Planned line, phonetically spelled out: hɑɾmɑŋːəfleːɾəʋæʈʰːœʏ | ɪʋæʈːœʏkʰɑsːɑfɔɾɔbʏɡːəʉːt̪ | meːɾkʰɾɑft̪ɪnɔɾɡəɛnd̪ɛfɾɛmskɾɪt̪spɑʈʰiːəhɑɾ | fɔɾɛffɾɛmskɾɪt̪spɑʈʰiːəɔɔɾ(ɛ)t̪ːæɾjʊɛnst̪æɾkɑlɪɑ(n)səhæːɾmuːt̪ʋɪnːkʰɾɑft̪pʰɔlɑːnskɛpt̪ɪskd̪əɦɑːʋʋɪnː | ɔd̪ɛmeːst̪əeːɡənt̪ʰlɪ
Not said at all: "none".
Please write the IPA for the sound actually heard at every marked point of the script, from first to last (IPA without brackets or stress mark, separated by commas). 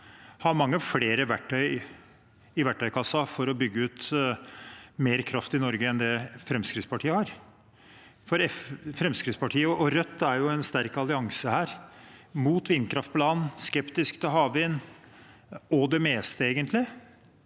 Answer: œ, ŋ